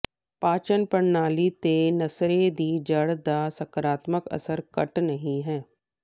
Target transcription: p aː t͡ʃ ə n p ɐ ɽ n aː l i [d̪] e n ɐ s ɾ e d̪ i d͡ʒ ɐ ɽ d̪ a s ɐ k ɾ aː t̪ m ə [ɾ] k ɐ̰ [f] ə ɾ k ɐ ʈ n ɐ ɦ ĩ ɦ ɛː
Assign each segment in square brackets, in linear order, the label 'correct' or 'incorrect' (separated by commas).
incorrect, incorrect, incorrect